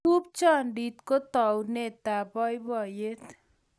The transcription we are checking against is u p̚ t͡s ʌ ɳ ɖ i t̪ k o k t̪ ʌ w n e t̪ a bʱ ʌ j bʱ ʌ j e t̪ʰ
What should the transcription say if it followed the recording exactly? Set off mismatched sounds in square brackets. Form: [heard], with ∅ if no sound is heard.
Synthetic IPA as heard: u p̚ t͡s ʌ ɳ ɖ i t̪ k o [∅] t̪ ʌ w n e t̪ a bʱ ʌ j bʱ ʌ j e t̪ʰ